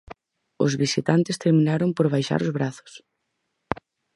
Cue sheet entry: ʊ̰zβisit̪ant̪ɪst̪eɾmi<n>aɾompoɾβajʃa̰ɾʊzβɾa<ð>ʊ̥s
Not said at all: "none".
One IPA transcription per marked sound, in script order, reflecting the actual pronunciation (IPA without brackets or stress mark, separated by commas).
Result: n, θ